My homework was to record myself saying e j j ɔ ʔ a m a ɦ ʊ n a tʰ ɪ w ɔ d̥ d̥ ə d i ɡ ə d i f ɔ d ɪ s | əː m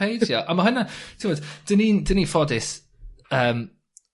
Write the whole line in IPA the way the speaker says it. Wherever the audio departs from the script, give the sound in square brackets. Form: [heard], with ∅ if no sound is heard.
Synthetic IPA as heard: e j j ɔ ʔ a m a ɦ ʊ n a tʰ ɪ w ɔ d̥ d̥ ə [n] i [d] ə [n] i f ɔ d ɪ s | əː m